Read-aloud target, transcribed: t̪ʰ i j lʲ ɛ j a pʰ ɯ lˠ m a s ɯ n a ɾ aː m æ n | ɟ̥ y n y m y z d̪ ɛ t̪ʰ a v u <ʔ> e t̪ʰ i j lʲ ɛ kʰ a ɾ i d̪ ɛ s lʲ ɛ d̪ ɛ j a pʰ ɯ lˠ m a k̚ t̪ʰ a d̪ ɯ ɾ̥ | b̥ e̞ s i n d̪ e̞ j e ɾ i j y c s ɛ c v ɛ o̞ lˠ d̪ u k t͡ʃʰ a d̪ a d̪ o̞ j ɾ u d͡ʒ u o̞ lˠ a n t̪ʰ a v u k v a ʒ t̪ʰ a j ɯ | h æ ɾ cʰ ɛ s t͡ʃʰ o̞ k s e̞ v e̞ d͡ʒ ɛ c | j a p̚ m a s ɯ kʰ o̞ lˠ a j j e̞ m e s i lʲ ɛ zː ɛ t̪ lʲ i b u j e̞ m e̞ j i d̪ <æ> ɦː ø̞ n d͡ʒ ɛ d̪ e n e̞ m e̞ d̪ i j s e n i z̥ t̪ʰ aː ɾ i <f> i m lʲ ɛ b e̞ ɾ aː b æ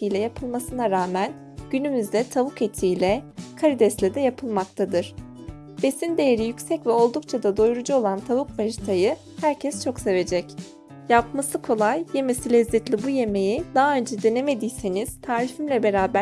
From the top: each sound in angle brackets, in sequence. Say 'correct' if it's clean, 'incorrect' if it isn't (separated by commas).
incorrect, incorrect, correct